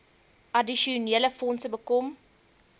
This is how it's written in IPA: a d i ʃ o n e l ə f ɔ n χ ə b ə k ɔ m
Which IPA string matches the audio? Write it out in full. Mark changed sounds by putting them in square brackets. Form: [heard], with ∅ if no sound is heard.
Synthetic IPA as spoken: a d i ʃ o n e l ə f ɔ n [s] ə b ə k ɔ m